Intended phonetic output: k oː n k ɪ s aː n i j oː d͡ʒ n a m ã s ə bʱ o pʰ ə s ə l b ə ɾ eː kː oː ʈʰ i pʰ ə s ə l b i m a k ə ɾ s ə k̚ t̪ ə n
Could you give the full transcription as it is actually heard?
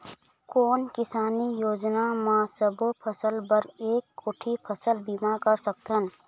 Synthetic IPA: k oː n k ɪ s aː n i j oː d͡ʒ n a m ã s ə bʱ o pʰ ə s ə l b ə ɾ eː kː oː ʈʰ i pʰ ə s ə l b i m a k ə ɾ s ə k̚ t̪ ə n

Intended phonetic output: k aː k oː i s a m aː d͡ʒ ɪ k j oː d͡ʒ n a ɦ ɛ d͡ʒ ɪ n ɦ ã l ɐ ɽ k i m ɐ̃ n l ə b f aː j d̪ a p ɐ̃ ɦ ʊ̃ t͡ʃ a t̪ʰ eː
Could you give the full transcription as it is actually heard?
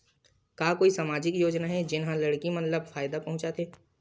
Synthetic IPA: k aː k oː i s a m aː d͡ʒ ɪ k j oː d͡ʒ n a ɦ ɛ d͡ʒ ɪ n ɦ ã l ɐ ɽ k i m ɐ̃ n l ə b f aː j d̪ a p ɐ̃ ɦ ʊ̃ t͡ʃ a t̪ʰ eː

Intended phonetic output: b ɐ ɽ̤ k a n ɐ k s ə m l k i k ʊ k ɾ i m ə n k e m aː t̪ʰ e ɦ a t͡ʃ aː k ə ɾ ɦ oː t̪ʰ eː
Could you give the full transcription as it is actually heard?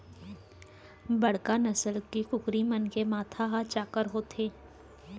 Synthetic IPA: b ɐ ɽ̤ k a n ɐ s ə l k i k ʊ k ɾ i m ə n k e m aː t̪ʰ a ɦ a t͡ʃ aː k ə ɾ ɦ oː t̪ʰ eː

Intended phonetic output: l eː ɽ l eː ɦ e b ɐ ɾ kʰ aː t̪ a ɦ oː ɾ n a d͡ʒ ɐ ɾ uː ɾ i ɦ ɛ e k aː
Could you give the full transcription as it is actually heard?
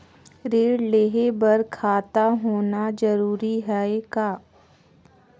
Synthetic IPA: ɾ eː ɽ l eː ɦ e b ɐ ɾ kʰ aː t̪ a ɦ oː n a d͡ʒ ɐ ɾ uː ɾ i ɦ ɛ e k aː

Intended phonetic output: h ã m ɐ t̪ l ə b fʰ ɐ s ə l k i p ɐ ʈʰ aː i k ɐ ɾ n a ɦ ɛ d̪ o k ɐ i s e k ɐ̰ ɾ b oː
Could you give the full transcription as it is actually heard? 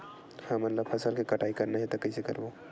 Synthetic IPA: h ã m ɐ t̪ l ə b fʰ ɐ s ə l k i k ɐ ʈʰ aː i k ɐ ɾ n a ɦ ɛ t̪ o k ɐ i s e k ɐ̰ ɾ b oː

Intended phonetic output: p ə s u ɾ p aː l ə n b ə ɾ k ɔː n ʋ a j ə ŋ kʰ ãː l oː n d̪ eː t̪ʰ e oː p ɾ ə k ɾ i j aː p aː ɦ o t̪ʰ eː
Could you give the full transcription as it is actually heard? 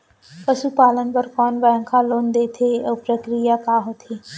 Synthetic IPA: p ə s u p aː l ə n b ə ɾ k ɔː n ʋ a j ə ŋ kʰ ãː l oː n d̪ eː t̪ʰ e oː p ɾ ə k ɾ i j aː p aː ɦ o t̪ʰ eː

